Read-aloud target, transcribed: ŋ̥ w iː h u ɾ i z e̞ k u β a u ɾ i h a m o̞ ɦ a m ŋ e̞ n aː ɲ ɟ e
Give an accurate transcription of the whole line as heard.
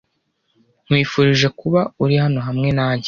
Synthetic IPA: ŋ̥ w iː f u ɾ i ʒ e̞ k u β a u ɾ i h a n o̞ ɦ a m ŋ e̞ n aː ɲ ɟ e

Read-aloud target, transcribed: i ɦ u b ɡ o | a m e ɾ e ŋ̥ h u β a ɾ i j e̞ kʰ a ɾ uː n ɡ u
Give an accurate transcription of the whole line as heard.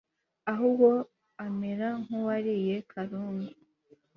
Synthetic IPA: a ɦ u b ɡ o | a m e ɾ a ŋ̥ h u w a ɾ i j e̞ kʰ a ɾ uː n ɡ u

